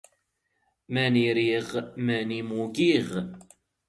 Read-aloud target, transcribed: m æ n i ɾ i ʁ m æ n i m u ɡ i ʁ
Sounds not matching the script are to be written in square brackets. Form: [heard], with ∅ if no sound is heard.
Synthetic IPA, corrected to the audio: m æ n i ɾ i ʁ m æ n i m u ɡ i ʁ